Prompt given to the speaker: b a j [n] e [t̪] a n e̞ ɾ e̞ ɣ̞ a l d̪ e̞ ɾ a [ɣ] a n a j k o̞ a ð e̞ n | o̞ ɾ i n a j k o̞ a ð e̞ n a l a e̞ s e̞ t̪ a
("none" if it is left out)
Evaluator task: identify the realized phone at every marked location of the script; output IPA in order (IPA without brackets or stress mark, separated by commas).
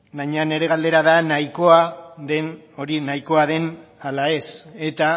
ɲ, none, ð